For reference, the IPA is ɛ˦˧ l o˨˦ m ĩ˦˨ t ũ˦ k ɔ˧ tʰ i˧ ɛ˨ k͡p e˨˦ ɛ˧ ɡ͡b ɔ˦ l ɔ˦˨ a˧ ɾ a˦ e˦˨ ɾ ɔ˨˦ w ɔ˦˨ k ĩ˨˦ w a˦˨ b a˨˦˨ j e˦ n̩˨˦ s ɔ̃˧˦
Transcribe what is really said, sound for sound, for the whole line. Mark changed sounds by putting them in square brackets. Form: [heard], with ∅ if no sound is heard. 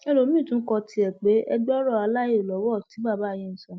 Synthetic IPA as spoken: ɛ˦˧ l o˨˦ m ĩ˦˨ t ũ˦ k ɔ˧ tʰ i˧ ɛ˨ k͡p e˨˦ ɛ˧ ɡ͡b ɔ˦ [ɾ] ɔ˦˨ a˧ [l] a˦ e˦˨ [l] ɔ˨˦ w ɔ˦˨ [t] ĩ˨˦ [b] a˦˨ b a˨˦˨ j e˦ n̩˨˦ s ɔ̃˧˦